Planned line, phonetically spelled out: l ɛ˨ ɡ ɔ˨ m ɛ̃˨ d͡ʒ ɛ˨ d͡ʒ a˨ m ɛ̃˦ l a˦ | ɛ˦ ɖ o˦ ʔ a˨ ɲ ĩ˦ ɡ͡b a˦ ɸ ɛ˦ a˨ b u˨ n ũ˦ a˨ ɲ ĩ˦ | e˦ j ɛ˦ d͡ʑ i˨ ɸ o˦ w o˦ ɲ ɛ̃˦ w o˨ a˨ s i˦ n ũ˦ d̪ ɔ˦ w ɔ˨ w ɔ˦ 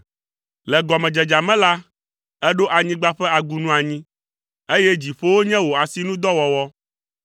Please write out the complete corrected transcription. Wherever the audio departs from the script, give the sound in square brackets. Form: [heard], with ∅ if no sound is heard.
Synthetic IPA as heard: l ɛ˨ ɡ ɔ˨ m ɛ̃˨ d͡ʒ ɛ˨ d͡ʒ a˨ m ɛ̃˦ l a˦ | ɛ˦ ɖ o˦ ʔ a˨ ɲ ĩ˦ ɡ͡b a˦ ɸ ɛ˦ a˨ [ɡ] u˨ n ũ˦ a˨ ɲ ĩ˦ | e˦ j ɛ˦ d͡ʑ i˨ ɸ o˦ w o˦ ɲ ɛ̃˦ w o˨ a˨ s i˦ n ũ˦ d̪ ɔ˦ w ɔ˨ w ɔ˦

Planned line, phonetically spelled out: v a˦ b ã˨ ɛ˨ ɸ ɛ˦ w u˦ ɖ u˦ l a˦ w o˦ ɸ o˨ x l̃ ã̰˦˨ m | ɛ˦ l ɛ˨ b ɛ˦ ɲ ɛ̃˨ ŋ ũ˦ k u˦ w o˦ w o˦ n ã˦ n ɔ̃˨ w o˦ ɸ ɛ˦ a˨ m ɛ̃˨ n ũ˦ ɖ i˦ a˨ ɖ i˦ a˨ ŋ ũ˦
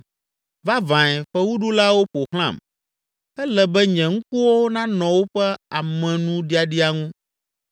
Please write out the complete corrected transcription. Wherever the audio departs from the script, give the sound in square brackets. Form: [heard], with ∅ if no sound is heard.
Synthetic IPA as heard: v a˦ [v] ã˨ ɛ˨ ɸ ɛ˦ w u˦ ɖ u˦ l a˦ w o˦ ɸ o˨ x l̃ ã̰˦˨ m | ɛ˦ l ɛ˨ b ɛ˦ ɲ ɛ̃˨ ŋ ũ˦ k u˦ w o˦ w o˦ n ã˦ n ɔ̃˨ w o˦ ɸ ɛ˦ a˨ m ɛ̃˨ n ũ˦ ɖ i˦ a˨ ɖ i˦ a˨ ŋ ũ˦

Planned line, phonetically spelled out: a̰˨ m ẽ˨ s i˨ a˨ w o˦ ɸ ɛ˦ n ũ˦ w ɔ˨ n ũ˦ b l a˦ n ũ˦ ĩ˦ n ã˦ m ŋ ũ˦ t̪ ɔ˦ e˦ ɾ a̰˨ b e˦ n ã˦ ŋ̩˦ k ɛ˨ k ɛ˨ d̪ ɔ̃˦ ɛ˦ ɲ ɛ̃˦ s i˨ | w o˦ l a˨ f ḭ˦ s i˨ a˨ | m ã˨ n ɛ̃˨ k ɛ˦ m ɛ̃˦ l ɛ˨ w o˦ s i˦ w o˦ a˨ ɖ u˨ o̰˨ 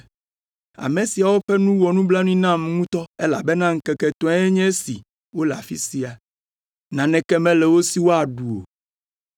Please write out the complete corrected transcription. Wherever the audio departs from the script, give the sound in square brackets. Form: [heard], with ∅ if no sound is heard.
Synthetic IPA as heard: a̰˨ m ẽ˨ s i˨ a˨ w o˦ ɸ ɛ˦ n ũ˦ w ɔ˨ n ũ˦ b l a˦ n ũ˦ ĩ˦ n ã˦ m ŋ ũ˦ t̪ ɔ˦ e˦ [l] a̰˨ b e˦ n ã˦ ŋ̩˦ k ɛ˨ k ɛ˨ [t̪] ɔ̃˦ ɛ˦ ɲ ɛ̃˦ s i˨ | w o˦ l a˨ f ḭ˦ s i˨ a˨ | [n] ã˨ n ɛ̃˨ k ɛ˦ m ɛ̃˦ l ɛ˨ w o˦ s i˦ w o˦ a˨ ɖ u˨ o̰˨

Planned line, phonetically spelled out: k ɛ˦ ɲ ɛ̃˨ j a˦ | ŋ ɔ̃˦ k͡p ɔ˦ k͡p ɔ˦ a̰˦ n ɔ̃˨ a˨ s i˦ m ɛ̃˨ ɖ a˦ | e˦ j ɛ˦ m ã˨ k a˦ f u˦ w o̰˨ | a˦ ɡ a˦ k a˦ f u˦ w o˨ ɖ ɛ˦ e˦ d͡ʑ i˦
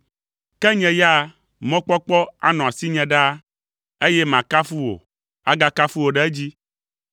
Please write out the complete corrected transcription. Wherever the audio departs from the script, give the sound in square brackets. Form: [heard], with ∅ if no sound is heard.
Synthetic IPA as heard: k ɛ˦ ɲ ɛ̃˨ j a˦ | [m] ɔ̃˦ k͡p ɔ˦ k͡p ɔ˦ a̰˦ n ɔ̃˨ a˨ s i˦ [ɲ] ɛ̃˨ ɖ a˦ | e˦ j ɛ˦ m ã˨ k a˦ f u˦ w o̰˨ | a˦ ɡ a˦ k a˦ f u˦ w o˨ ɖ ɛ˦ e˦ d͡ʑ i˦

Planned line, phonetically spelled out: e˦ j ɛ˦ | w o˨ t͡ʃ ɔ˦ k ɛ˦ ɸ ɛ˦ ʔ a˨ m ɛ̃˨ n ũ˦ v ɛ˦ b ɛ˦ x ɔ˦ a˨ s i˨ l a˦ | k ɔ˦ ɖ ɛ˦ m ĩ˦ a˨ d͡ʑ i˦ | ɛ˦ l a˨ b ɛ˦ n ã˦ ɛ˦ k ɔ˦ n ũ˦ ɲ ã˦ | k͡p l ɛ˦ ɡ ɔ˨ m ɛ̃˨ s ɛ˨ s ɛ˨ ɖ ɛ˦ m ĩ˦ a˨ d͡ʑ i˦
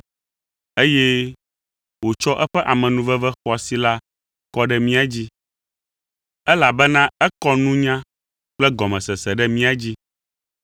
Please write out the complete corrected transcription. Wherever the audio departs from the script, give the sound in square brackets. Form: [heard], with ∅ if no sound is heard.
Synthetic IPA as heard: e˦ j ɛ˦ | w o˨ t͡ʃ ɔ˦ [ʔ] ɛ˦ ɸ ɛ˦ ʔ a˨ m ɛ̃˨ n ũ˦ v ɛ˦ [v] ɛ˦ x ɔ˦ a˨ s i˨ l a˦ | k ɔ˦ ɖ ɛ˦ m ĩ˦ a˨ d͡ʑ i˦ | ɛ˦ l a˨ b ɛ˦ n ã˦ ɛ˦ k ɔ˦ n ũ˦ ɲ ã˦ | k͡p l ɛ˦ ɡ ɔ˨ m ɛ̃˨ s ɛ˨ s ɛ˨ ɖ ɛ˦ m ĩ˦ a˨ d͡ʑ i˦

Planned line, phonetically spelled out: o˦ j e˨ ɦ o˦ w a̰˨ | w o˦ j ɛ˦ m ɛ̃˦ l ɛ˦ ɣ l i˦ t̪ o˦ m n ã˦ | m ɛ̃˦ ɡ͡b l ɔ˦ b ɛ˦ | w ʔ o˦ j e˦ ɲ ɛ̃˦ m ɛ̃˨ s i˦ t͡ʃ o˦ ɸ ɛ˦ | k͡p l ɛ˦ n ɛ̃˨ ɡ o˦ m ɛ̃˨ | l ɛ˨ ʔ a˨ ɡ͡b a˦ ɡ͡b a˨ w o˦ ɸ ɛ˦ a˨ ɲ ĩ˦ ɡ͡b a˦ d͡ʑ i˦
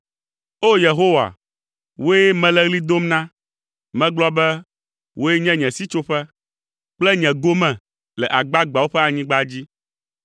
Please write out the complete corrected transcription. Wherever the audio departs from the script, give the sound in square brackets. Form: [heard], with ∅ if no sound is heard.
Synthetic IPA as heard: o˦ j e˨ ɦ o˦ w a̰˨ | w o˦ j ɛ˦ m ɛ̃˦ l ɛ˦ ɣ l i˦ [d̪] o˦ m n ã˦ | m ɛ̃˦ ɡ͡b l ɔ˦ b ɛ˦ | w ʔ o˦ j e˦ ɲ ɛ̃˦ [ɲ] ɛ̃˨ s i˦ t͡ʃ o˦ ɸ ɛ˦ | k͡p l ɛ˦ [ɲ] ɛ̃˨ ɡ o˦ m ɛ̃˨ | l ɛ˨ ʔ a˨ ɡ͡b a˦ ɡ͡b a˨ w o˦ ɸ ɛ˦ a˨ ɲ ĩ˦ ɡ͡b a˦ d͡ʑ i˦

